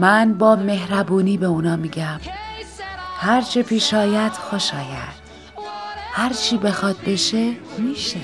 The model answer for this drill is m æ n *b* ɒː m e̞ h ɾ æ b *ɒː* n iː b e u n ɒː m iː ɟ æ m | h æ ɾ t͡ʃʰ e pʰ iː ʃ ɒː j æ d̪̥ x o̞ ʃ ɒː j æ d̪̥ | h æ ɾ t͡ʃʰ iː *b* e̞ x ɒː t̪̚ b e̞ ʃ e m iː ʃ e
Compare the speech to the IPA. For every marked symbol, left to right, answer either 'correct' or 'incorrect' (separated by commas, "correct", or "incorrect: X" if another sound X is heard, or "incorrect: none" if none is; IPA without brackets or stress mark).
correct, incorrect: uː, correct